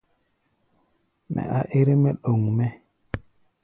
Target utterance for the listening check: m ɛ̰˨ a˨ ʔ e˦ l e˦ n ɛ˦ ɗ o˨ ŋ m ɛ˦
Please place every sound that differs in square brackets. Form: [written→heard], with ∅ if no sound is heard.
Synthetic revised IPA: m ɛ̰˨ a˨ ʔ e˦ [l→ɾ] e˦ [n→m] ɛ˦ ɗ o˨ ŋ m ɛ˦